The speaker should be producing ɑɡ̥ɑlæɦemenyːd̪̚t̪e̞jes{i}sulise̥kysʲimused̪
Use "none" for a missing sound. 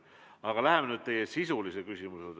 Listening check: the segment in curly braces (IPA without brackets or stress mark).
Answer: i